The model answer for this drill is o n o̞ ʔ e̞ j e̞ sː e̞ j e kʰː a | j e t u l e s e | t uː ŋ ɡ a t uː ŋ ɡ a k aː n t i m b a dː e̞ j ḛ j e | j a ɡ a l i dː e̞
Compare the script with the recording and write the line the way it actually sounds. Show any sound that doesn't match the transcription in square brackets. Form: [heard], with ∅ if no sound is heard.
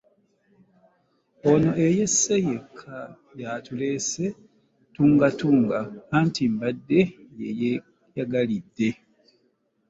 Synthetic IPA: o n o̞ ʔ e̞ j e̞ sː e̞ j e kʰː a | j [a] t u l e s e | t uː ŋ ɡ a t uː ŋ ɡ a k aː n t i m b a dː e̞ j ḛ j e | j a ɡ a l i dː e̞